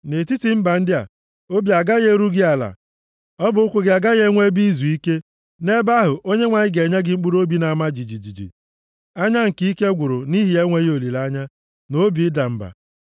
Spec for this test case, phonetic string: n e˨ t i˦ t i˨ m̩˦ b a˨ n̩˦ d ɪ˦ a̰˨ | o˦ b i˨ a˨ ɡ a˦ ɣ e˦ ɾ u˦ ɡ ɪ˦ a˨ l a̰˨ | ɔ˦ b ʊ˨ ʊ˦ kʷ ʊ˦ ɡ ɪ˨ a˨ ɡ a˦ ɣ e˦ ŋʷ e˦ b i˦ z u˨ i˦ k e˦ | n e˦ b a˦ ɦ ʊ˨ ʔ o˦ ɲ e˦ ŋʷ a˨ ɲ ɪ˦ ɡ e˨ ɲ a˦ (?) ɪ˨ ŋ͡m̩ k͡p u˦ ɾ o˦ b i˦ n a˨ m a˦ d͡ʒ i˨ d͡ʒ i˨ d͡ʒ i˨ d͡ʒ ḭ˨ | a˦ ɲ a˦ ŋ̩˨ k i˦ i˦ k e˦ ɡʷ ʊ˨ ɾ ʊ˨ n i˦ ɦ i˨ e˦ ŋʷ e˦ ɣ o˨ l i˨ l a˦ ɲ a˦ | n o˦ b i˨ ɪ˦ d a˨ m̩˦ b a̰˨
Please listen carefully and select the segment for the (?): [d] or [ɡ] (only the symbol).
ɡ